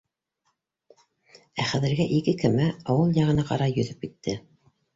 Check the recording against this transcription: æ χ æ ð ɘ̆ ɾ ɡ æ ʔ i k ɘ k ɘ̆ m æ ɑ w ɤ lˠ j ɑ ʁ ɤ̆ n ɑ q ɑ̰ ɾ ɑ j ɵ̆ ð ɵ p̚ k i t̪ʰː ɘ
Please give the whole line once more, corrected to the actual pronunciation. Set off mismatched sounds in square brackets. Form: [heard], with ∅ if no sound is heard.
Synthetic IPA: æ χ æ ð ɘ̆ ɾ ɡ æ ʔ i k ɘ k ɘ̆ m æ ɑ w ɤ lˠ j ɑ ʁ ɤ̆ n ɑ q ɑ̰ ɾ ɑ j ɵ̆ ð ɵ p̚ k i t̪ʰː ɘ